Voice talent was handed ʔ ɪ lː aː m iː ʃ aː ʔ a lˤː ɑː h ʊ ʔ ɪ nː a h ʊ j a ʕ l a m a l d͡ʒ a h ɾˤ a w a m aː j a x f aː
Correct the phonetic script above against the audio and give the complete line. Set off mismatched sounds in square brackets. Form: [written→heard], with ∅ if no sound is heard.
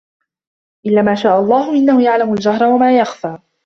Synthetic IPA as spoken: ʔ ɪ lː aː m [iː→aː] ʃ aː ʔ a lˤː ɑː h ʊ ʔ ɪ nː a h ʊ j a ʕ l a m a l d͡ʒ a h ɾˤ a w a m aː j a x f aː